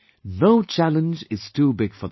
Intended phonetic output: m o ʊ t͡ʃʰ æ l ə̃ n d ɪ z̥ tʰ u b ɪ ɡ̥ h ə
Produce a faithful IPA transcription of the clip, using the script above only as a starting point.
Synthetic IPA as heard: n o ʊ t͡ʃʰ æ l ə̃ n d͡ʒ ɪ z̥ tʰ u b ɪ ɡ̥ f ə